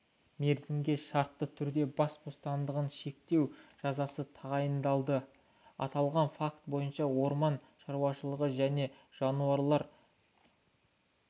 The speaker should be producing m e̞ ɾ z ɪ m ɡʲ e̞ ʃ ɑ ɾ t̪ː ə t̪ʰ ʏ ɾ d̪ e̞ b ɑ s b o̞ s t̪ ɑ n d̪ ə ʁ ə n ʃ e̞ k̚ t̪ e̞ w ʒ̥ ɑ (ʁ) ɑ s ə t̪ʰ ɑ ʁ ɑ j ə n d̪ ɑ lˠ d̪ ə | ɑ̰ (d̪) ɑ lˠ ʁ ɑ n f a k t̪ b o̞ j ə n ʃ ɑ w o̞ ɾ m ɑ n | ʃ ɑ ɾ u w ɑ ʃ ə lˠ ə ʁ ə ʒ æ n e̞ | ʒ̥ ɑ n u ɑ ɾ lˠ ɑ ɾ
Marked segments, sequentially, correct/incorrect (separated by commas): incorrect, incorrect